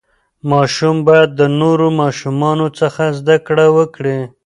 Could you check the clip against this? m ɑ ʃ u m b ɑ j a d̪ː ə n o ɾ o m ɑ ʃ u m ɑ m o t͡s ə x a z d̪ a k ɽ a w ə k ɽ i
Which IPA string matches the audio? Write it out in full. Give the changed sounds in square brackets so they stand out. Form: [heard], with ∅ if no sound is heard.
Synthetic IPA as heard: m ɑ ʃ u m b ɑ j a d̪ː ə n o ɾ o m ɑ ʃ u m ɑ [n] o t͡s ə x a z d̪ a k ɽ a w ə k ɽ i